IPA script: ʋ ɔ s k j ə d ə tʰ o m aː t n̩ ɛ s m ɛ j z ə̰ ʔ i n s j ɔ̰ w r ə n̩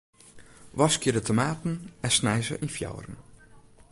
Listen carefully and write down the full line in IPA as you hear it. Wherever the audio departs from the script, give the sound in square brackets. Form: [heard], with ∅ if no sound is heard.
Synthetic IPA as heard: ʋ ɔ s k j ə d ə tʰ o m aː t n̩ ɛ s [n] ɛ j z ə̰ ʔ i n [f] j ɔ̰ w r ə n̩